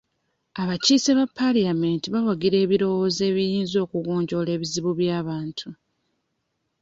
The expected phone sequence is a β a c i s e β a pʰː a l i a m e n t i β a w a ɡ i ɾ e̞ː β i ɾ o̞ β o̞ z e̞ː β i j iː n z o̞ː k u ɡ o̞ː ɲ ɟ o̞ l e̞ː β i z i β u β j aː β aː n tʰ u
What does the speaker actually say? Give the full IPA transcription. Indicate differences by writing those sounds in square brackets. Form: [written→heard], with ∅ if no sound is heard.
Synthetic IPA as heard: a β a c i s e β a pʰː a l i a m e n t i β a w a ɡ i ɾ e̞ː β i ɾ o̞ [β→w] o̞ z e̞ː β i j iː n z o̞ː k u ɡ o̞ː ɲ ɟ o̞ l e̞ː β i z i β u β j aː β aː n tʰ u